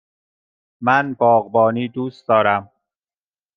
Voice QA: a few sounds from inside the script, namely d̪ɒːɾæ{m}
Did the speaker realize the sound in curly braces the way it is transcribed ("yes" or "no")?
yes